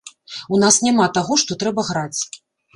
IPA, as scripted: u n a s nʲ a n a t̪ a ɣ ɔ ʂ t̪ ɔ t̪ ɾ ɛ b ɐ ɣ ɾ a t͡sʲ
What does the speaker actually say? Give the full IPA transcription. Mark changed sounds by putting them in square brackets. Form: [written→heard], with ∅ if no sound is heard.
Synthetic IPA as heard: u n a s nʲ a [n→m] a t̪ a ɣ ɔ ʂ t̪ ɔ t̪ ɾ ɛ b ɐ ɣ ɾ a t͡sʲ